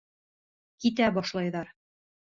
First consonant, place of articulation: velar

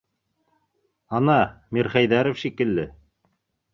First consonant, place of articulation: alveolar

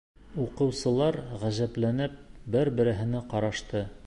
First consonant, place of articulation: uvular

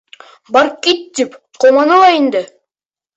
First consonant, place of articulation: labial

